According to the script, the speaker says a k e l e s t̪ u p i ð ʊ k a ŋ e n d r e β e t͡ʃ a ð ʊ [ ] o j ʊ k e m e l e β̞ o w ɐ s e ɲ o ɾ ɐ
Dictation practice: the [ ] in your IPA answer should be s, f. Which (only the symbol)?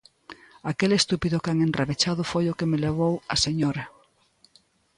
f